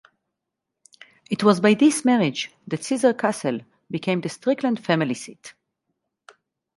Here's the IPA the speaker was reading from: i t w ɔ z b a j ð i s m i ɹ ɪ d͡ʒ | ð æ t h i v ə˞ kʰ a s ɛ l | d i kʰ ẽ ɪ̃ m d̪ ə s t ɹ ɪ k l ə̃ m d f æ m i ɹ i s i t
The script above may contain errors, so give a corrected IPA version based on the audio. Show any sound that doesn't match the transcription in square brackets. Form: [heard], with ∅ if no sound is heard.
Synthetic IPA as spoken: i t w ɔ z b a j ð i s m [ɛ] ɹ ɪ d͡ʒ | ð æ t [s] i [z] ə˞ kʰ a s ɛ l | [b] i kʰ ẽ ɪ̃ m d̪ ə s t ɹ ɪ k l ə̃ [n] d f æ m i [l] i s i t